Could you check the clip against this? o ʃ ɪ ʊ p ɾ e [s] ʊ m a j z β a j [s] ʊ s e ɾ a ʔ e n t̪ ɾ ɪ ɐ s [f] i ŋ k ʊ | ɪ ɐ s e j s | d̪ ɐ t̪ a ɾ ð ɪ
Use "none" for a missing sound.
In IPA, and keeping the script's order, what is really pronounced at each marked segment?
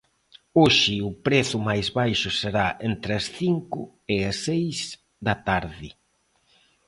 θ, ʃ, θ

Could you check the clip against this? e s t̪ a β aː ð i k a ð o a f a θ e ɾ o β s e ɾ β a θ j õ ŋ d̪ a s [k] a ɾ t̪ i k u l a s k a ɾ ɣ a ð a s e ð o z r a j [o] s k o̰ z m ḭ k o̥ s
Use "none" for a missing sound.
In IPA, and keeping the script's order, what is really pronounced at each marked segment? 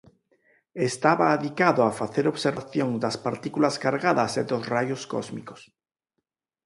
p, o

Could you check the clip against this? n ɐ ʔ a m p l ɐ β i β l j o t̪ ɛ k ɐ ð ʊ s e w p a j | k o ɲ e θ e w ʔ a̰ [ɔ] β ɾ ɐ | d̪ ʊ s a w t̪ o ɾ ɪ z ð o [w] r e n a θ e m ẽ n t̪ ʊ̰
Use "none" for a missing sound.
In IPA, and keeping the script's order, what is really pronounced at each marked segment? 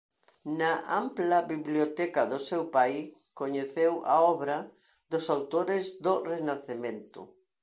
ɔ, none

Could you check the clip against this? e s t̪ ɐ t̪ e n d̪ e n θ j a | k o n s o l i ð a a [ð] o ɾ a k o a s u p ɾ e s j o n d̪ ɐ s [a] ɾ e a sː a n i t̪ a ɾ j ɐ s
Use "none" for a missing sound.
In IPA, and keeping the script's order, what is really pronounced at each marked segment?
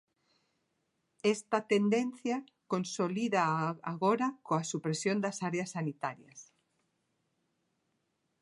ɣ, a

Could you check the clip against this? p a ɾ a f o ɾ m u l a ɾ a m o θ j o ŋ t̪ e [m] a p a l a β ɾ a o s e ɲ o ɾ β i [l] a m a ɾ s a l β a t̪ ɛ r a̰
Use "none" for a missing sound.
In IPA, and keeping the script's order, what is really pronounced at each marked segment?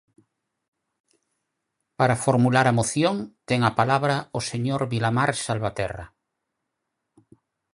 ŋ, l

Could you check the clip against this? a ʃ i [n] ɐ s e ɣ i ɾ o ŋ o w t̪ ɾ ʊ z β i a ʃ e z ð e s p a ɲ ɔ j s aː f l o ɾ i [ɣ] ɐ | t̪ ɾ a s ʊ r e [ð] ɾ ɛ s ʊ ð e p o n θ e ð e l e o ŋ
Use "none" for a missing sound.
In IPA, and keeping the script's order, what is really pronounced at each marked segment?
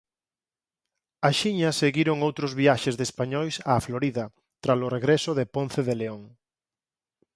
ɲ, ð, ɣ

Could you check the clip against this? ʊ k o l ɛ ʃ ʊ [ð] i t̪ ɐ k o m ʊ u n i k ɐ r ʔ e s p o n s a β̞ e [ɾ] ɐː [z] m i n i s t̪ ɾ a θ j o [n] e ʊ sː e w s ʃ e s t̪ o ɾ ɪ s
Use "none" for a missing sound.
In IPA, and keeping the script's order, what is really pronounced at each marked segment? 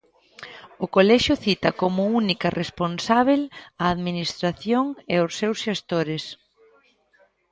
θ, l, ð, ŋ

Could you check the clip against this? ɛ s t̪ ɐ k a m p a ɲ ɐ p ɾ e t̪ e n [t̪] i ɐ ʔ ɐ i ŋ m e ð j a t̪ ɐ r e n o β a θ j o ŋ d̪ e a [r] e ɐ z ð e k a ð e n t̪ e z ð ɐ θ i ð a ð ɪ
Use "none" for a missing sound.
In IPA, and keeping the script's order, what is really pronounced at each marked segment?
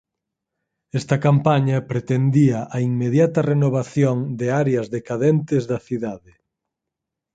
d̪, ɾ

